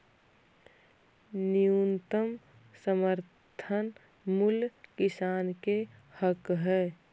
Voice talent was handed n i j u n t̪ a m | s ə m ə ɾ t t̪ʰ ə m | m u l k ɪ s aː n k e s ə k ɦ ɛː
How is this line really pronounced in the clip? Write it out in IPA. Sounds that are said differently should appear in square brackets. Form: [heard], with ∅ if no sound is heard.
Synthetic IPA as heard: n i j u n t̪ [ə] m | s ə m ə ɾ t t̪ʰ ə [n] | m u l k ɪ s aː n k e [h] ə k ɦ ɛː